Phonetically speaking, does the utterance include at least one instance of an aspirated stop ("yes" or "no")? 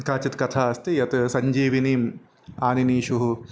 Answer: yes